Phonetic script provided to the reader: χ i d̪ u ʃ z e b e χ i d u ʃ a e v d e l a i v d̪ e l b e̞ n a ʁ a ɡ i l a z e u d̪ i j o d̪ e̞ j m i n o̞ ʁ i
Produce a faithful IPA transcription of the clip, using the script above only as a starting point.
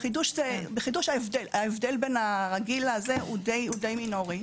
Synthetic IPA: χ i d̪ u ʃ z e b e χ i d u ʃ a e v d e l a e v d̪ e l b e̞ n a ʁ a ɡ i l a z e u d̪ e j u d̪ e̞ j m i n o̞ ʁ i